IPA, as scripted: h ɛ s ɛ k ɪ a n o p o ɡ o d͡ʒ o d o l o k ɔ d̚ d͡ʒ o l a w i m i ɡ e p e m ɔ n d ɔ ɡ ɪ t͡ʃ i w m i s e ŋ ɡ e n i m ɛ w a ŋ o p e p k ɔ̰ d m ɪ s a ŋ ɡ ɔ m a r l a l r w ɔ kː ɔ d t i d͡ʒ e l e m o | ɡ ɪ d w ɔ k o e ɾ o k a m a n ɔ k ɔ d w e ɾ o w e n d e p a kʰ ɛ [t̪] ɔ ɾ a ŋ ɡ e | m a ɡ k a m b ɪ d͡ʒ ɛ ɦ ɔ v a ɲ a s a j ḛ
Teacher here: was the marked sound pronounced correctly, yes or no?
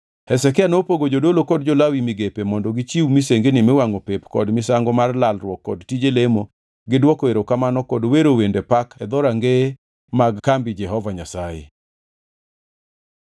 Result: no